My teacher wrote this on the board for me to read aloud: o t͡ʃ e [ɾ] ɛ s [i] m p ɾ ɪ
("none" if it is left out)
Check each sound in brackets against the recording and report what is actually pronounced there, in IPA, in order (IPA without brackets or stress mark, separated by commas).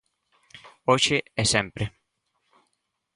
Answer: none, ɛ